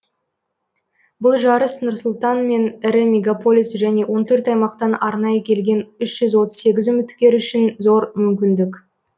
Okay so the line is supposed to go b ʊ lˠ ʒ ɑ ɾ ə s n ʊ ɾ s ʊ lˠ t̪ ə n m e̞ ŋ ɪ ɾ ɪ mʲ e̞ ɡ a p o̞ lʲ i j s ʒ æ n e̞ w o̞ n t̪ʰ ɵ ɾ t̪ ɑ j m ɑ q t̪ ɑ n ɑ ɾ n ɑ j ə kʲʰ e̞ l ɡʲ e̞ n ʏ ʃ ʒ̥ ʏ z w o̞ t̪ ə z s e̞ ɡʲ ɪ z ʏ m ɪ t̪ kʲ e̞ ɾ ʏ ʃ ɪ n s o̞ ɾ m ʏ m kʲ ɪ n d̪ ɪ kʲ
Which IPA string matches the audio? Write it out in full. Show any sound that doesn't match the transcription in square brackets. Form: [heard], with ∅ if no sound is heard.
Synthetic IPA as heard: b ʊ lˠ ʒ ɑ ɾ ə s n ʊ ɾ s ʊ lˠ t̪ [ɑ] n m e̞ [n] ɪ ɾ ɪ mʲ e̞ ɡ a p o̞ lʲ i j s ʒ æ n e̞ w o̞ n t̪ʰ ɵ ɾ t̪ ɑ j m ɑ q t̪ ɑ n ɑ ɾ n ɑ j ə kʲʰ e̞ l ɡʲ e̞ n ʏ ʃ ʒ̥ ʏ z w o̞ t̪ ə z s e̞ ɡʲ ɪ z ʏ m ɪ t̪ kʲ e̞ ɾ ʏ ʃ ɪ n [z] o̞ ɾ m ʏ m kʲ ɪ n d̪ ɪ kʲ